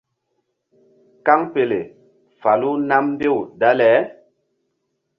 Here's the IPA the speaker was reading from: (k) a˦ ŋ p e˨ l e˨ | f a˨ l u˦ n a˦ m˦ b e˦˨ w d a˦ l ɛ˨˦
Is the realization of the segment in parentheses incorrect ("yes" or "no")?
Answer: no